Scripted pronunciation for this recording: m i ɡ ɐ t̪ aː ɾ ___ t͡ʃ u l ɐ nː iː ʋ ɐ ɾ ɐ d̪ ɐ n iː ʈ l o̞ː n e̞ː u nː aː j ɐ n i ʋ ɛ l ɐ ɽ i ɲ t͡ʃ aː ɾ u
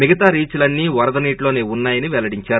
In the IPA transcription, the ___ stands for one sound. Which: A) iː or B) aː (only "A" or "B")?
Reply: A